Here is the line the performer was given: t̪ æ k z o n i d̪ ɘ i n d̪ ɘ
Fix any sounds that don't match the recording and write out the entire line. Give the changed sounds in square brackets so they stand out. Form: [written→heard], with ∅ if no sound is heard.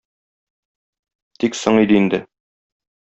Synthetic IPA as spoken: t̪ [æ→i] k [z→s] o [n→ɴ] i d̪ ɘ i n d̪ ɘ